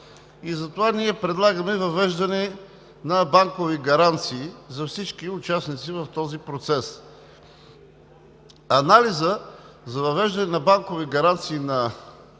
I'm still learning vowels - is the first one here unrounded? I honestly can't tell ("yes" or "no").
yes